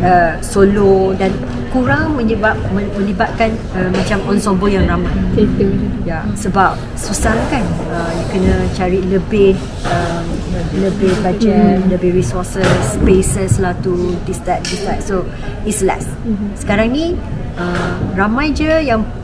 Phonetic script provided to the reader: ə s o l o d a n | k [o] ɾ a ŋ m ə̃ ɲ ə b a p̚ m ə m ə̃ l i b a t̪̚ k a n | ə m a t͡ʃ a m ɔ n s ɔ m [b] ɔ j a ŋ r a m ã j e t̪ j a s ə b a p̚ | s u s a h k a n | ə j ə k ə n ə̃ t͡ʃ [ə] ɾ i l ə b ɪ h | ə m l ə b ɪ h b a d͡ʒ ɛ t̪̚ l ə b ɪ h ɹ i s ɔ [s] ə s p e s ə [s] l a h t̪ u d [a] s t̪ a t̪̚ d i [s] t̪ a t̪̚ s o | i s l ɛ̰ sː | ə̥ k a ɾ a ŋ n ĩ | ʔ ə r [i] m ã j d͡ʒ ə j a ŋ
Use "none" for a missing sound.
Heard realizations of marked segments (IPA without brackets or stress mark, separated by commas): u, b, a, s, s, i, s, a